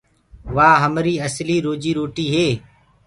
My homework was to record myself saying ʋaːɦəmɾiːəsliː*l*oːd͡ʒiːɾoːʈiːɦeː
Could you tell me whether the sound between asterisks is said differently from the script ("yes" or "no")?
yes